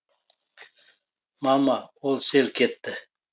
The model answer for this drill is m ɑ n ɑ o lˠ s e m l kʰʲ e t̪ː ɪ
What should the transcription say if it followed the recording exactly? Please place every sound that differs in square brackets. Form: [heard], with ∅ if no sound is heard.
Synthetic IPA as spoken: m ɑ [m] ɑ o lˠ s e [∅] l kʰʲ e t̪ː ɪ